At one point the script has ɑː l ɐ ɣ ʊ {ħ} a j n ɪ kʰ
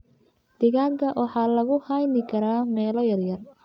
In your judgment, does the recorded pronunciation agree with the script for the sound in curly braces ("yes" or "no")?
no